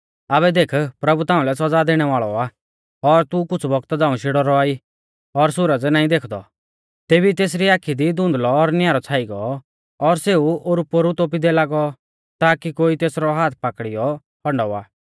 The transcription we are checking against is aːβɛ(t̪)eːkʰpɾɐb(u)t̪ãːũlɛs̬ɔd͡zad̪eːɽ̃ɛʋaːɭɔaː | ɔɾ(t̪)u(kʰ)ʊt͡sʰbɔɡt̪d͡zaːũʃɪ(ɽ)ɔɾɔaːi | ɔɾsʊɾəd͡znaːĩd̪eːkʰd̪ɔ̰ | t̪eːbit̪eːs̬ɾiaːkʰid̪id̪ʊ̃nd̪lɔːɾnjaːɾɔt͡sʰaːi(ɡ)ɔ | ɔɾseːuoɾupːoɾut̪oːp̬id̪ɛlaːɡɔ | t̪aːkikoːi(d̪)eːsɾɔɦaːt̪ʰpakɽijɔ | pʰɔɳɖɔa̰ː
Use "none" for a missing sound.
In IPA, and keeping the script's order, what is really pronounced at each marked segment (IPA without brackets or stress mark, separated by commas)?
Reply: d̪, u, t̪, k, ɽ, ɡ, t̪